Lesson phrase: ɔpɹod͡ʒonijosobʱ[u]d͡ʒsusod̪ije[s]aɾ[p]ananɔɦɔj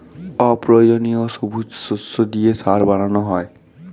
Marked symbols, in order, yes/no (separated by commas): yes, yes, no